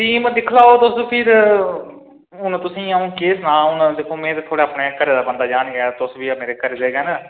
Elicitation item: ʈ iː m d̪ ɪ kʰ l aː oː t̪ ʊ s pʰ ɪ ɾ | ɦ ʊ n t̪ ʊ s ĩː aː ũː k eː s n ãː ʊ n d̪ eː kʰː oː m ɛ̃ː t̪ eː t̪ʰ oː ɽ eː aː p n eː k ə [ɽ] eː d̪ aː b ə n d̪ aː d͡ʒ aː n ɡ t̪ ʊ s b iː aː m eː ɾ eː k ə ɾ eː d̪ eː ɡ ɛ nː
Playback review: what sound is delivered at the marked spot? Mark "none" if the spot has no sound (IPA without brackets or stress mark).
ɾ